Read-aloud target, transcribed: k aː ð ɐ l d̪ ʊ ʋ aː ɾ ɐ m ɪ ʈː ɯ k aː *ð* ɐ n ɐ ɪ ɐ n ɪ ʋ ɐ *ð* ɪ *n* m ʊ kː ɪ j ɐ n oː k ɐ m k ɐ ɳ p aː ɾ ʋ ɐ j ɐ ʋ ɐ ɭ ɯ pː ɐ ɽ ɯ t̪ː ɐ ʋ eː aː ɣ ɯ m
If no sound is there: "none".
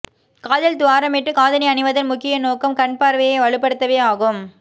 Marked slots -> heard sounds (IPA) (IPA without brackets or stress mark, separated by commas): ð, ð, n